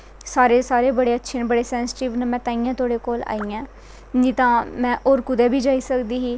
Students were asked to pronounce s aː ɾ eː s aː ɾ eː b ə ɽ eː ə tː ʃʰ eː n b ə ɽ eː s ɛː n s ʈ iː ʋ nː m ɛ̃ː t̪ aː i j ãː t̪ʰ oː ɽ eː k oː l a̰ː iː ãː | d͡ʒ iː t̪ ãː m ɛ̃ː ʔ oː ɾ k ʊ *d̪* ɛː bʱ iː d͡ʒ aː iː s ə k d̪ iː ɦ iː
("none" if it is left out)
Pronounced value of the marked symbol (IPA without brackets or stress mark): d̪